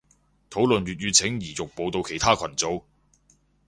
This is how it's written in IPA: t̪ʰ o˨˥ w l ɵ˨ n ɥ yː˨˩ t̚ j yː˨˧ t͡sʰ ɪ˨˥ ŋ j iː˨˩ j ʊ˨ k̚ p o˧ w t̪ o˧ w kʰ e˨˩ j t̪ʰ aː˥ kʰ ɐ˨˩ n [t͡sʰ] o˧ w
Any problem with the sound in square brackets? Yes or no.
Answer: yes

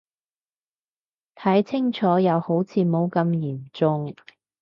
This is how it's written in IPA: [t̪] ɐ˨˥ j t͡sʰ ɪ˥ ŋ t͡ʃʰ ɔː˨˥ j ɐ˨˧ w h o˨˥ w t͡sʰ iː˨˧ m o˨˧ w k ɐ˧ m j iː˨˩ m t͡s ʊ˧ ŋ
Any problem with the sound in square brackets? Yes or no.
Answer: yes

